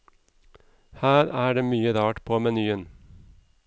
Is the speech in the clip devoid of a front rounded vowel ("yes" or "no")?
no